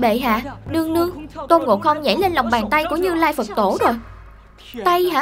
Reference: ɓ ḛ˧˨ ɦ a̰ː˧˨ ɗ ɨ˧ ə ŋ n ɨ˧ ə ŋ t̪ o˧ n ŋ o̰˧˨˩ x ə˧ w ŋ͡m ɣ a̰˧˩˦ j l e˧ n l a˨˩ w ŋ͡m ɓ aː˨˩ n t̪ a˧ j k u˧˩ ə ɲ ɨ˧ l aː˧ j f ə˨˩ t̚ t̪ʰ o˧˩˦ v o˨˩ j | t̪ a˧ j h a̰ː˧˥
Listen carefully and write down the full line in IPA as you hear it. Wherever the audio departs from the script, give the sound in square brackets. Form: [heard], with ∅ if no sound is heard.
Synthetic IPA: ɓ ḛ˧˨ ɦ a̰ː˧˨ ɗ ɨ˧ ə ŋ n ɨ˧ ə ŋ t̪ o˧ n ŋ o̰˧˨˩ x ə˧ w ŋ͡m [z] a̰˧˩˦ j l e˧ n l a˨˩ w ŋ͡m ɓ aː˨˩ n t̪ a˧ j k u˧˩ ə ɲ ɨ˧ l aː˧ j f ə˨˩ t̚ [t̪] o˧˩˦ [z] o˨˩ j | t̪ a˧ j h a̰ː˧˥